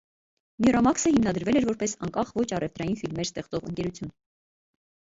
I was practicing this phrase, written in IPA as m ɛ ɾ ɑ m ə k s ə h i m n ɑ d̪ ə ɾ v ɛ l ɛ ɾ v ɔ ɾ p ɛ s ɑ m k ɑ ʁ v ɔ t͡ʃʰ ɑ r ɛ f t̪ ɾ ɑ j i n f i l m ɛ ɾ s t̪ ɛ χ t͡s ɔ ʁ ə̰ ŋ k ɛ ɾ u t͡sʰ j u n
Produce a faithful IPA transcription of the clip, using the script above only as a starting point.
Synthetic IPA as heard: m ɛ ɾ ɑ m ɑ k s ə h i m n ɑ d̪ ə ɾ v ɛ l ɛ ɾ v ɔ ɾ p ɛ s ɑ ŋ k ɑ χ v ɔ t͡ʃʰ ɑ r ɛ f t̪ ɾ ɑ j i n f i l m ɛ ɾ s t̪ ɛ χ t͡s ɔ ʁ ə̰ ŋ k ɛ ɾ u t͡sʰ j u n